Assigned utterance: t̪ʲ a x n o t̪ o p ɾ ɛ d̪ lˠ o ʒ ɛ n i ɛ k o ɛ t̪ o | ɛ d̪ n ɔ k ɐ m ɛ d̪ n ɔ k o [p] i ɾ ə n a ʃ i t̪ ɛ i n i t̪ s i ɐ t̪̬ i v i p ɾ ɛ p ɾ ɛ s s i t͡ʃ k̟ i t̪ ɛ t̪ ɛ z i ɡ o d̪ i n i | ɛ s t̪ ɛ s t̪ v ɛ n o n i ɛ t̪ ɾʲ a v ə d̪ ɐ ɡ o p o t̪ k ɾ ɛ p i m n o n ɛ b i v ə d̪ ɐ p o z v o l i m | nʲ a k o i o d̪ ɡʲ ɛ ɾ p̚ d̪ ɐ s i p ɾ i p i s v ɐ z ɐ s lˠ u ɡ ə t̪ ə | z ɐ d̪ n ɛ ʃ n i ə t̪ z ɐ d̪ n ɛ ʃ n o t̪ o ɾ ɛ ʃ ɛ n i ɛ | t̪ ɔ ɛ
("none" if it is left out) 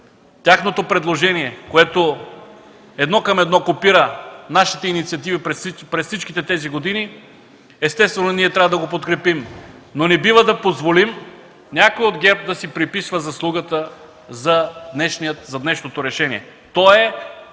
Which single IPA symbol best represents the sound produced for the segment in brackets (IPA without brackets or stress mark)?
p